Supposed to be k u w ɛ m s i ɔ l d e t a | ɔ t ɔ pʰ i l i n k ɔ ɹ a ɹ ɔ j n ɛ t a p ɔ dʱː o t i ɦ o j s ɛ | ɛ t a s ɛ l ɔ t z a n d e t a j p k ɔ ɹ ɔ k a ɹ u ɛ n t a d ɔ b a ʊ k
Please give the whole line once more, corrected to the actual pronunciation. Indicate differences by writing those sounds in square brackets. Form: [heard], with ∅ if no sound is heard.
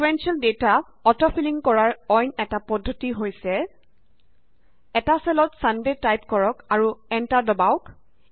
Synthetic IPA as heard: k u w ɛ [n] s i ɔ l d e t a | ɔ t ɔ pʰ i l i [ŋ] k ɔ ɹ a ɹ ɔ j n ɛ t a p ɔ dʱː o t i ɦ o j s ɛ | ɛ t a s ɛ l ɔ t [s] a n d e t a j p k ɔ ɹ ɔ k a ɹ u ɛ n t a d ɔ b a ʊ k